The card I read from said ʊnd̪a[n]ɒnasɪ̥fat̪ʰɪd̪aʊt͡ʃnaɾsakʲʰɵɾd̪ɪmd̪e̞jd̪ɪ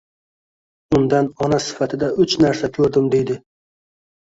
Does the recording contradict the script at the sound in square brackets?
no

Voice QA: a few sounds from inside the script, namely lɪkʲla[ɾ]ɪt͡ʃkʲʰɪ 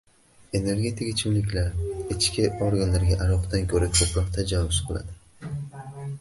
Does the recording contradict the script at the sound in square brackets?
no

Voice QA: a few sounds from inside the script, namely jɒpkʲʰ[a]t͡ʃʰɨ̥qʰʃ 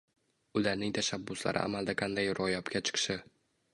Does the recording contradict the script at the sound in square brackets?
no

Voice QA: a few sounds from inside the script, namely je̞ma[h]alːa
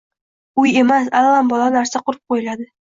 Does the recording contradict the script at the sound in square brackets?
yes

